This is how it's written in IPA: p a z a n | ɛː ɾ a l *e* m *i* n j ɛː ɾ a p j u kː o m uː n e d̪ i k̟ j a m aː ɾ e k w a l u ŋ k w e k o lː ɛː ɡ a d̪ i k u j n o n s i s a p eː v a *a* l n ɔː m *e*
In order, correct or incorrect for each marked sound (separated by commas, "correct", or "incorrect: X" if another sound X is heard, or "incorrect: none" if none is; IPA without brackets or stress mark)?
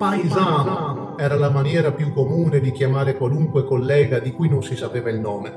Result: incorrect: a, incorrect: a, incorrect: i, correct